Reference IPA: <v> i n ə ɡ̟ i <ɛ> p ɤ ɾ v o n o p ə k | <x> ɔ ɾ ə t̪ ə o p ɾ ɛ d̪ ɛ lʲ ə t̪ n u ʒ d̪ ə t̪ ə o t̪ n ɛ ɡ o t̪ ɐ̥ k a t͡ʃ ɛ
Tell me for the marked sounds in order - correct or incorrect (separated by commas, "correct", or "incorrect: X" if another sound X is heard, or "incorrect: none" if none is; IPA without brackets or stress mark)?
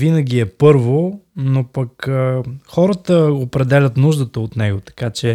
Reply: correct, correct, correct